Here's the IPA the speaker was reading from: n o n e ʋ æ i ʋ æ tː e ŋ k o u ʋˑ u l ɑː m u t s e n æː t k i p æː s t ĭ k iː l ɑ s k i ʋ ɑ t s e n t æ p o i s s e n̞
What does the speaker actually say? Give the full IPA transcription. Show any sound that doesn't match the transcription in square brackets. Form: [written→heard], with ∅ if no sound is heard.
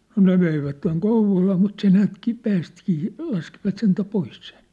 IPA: n o n e ʋ [æ→e] i ʋ æ tː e ŋ k o u ʋˑ [u→o] l ɑː m u t s e n æː t k i p æː s t ĭ k iː l ɑ s k i ʋ ɑ t s e n t æ p o i s s e n̞